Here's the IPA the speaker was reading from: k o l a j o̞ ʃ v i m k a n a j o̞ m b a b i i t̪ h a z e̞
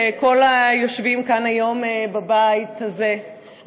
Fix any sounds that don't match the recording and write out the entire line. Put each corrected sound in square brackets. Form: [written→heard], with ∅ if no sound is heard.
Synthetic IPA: k o l a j o̞ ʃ v i m k a n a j o̞ m b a b [i→a] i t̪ h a z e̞